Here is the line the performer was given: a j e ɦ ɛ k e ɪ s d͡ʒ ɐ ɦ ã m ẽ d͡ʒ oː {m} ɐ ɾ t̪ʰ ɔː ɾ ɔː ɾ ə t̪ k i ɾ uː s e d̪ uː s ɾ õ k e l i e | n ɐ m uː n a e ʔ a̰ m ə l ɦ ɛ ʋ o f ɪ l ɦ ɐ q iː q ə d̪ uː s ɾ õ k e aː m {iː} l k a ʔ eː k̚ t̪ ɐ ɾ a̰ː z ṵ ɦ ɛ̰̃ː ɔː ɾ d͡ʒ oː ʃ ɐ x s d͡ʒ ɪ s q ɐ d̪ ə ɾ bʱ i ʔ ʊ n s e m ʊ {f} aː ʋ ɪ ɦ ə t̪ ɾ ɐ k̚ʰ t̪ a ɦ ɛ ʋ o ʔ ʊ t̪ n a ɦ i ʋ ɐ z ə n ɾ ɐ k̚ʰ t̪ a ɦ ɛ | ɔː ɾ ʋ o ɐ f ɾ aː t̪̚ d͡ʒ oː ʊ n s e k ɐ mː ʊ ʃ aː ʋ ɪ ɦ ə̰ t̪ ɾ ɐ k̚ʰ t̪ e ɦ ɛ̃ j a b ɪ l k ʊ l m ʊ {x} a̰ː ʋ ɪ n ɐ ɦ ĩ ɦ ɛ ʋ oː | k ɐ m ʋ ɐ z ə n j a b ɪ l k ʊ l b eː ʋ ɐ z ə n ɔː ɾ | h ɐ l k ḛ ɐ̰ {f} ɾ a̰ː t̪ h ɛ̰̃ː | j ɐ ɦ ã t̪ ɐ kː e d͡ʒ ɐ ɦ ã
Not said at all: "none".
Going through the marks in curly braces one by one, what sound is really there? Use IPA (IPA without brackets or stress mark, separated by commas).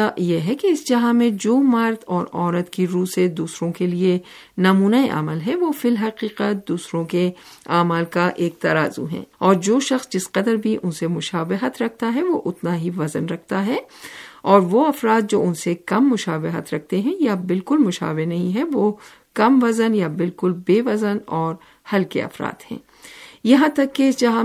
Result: m, aː, ʃ, ʃ, f